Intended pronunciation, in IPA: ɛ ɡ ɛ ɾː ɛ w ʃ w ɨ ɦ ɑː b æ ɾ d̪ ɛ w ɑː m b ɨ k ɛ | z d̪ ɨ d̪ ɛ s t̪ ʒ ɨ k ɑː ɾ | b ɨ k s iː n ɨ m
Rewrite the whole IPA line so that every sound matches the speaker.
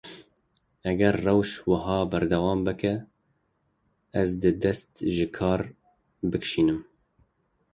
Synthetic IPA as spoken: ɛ ɡ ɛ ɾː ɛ w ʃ w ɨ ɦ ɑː b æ ɾ d̪ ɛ w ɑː m b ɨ k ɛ | z d̪ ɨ d̪ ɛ s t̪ ʒ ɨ kʰ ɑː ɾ | b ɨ k ʃ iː n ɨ m